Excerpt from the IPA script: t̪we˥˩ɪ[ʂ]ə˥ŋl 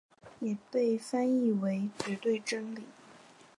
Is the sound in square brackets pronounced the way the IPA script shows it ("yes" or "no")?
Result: no